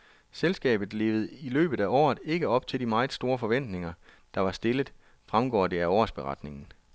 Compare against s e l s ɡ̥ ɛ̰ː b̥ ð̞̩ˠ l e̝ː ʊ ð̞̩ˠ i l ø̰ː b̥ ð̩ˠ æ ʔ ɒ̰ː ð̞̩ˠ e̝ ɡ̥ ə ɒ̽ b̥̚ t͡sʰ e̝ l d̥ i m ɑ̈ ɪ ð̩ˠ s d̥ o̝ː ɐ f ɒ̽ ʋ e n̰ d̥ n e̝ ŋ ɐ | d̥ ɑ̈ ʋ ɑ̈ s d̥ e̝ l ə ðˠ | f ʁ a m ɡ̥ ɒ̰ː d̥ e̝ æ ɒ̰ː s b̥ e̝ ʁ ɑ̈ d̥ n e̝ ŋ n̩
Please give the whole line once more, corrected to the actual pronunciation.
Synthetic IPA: s e l s ɡ̥ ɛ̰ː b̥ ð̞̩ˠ l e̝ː ʊ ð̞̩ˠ i l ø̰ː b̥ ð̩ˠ æ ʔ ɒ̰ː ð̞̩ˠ e̝ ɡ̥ ə ɒ̽ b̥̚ t͡sʰ e̝ l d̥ i m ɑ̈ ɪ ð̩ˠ s d̥ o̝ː ɐ f ɒ̽ ʋ e n̰ d̥ n e̝ ŋ ɐ | d̥ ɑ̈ ʋ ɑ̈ s d̥ e̝ l ə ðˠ | f ʁ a m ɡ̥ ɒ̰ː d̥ e̝ æ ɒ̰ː s b̥ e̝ ʁ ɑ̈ d̥ n e̝ ŋ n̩

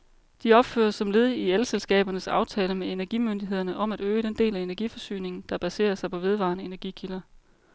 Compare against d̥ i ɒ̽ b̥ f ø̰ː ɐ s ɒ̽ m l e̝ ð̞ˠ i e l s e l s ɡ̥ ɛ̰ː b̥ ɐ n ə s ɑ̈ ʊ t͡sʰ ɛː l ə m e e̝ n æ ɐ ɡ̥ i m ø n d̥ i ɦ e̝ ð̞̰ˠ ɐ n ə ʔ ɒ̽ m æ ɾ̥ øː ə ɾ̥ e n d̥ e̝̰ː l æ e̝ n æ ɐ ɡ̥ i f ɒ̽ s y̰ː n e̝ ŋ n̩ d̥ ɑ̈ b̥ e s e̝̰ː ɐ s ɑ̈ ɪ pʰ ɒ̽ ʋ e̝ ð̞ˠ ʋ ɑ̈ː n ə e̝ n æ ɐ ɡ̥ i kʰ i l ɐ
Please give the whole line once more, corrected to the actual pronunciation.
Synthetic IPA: d̥ i ɒ̽ b̥ f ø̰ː ɐ s ɒ̽ m l e̝ ð̞ˠ i e l s e l s ɡ̥ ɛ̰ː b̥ ɐ n ə s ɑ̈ ʊ t͡sʰ ɛː l ə m e e̝ n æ ɐ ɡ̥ i m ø n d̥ i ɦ e̝ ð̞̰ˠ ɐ n ə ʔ ɒ̽ m æ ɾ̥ øː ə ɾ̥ e n d̥ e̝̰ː l æ e̝ n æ ɐ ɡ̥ i f ɒ̽ s y̰ː n e̝ ŋ n̩ d̥ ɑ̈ b̥ æ s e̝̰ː ɐ s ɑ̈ ɪ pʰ ɒ̽ ʋ e̝ ð̞ˠ ʋ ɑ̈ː n ə e̝ n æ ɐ ɡ̥ i kʰ i l ɐ

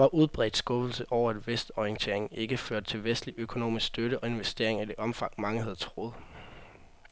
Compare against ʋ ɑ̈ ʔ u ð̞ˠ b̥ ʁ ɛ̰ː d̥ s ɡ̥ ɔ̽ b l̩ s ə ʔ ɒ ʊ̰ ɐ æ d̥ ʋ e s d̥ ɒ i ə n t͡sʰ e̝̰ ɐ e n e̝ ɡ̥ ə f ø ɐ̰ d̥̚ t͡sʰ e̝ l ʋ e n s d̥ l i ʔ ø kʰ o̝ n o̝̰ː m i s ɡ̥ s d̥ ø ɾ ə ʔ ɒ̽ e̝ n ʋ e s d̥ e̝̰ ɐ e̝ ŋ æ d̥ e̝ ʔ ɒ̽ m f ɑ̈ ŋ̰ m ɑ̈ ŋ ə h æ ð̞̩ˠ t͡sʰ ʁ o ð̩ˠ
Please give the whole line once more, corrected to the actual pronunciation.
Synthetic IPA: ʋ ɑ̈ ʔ u ð̞ˠ b̥ ʁ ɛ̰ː d̥ s ɡ̥ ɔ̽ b l̩ s ə ʔ ɒ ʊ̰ ɐ æ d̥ ʋ e s d̥ ɒ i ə n t͡sʰ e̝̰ ɐ e ŋ e̝ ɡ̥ ə f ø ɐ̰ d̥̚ t͡sʰ e̝ l ʋ e s d̥ l i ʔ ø kʰ o̝ n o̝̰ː m i s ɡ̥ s d̥ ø ɾ ə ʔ ɒ̽ e̝ n ʋ e s d̥ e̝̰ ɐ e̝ ŋ æ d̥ e̝ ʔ ɒ̽ m f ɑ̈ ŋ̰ m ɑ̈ ŋ ə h æ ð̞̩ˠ t͡sʰ ʁ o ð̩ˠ

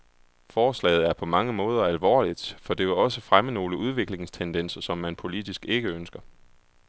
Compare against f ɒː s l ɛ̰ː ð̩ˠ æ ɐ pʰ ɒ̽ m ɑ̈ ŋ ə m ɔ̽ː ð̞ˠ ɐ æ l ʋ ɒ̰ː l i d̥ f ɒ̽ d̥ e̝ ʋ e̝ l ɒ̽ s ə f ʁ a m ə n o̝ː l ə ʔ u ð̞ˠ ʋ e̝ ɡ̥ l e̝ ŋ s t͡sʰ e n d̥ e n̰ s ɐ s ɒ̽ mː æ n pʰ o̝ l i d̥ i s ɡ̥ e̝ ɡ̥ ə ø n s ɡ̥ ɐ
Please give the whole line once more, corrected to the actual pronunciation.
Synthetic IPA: f ɒː s l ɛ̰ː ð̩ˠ æ ɐ pʰ ɒ̽ m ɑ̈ ŋ ə m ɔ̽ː ð̞ˠ ɐ æ l ʋ ɒ̰ː l i d̥ f ɒ̽ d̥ e̝ ʋ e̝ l ɒ̽ s ə f ʁ a m ə n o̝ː l ə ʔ u ð̞ˠ ʋ e̝ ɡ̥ l e̝ ŋ s t͡sʰ e n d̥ e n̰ s ɐ s ɒ̽ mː æ n pʰ o̝ l i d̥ i s ɡ̥ e̝ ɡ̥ ə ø n s ɡ̥ ɐ

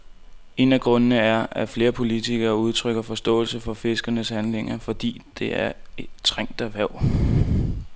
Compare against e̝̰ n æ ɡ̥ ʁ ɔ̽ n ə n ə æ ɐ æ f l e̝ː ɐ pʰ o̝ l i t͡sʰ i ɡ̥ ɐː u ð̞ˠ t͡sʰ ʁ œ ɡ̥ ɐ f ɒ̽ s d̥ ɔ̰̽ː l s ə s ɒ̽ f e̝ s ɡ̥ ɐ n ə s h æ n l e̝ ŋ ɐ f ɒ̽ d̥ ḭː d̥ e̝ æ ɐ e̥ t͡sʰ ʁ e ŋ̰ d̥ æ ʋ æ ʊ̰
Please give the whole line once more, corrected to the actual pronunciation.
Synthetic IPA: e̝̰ n æ ɡ̥ ʁ ɔ̽ n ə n ə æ ɐ æ f l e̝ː ɐ pʰ o̝ l i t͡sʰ i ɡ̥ ɐː u ð̞ˠ t͡sʰ ʁ œ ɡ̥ ɐ f ɒ̽ s d̥ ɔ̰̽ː l s ə f ɒ̽ f e̝ s ɡ̥ ɐ n ə s h æ n l e̝ ŋ ɐ f ɒ̽ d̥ ḭː d̥ e̝ æ ɐ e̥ t͡sʰ ʁ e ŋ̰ d̥ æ ʋ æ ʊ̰

